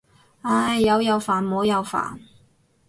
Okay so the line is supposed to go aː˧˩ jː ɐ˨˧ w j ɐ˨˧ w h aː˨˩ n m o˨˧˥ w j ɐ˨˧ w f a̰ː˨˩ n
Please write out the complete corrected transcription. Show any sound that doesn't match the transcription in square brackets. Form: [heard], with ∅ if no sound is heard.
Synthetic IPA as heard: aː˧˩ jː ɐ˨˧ w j ɐ˨˧ w [f] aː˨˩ n m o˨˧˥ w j ɐ˨˧ w f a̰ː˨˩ n